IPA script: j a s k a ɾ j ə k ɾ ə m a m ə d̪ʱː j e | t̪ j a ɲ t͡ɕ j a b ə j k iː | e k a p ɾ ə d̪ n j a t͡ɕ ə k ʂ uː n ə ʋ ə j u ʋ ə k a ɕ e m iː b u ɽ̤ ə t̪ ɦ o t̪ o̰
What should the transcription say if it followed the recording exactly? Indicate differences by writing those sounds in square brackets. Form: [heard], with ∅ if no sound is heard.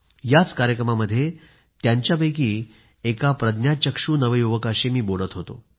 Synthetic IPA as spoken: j a [t͡s] k a ɾ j ə k ɾ ə m a m ə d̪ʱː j e | t̪ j a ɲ t͡ɕ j a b ə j k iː | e k a p ɾ ə d̪ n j a t͡ɕ ə k ʂ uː n ə ʋ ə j u ʋ ə k a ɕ e m iː b [o] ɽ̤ ə t̪ ɦ o t̪ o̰